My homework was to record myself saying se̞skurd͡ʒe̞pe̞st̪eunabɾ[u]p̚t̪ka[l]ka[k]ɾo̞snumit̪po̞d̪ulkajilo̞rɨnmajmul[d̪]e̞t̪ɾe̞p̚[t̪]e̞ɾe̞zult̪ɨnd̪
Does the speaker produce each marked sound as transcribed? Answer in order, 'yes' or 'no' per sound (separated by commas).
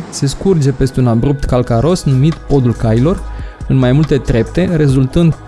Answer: yes, yes, no, no, yes